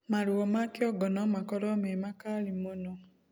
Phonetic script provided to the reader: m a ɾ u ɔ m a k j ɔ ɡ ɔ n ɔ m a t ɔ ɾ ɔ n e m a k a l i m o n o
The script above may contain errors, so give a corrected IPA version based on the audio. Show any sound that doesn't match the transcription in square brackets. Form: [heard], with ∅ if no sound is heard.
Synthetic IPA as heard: m a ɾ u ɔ m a k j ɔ ɡ ɔ n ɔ m a [k] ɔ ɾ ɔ [m] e m a k a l i m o n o